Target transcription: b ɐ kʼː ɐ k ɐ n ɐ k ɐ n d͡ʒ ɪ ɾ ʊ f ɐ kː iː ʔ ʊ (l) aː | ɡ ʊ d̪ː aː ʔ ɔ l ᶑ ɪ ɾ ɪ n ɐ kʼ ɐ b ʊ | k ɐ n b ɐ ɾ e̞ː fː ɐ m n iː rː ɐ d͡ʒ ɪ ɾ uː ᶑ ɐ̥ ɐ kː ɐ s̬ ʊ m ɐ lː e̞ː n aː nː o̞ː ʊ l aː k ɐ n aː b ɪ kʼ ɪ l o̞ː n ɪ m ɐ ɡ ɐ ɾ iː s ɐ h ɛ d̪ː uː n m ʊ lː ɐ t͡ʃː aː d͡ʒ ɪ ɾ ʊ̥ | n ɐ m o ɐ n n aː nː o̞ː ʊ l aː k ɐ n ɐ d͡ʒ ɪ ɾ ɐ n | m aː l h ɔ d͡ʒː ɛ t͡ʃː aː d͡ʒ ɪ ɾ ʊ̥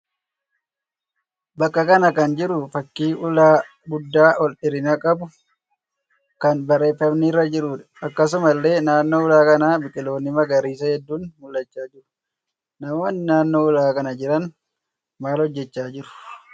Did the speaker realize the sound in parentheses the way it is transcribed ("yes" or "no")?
yes